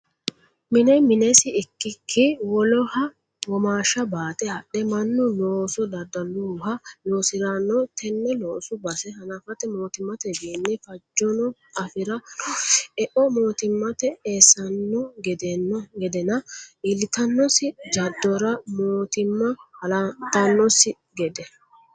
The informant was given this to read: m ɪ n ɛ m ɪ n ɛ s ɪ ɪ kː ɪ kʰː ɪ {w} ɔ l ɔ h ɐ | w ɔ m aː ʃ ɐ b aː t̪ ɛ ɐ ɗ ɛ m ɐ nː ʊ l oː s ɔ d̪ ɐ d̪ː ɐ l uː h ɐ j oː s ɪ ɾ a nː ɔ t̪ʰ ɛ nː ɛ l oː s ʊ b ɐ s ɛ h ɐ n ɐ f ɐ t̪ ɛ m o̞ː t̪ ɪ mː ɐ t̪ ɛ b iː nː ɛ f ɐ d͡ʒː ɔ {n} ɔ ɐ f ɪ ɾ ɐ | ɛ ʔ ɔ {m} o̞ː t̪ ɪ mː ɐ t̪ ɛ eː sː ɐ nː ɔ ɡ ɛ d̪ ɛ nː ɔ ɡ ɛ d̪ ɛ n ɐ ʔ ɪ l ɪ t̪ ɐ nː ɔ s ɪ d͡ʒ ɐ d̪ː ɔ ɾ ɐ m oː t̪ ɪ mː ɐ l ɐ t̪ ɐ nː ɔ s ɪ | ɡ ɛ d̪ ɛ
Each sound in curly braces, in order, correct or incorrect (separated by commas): correct, correct, correct